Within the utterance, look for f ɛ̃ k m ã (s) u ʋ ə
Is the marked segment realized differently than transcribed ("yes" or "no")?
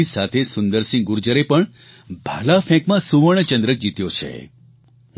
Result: no